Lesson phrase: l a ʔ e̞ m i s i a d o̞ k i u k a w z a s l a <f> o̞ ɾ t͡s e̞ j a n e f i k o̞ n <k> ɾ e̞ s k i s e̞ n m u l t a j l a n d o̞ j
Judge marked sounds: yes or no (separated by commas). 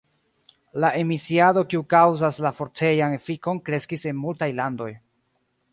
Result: yes, yes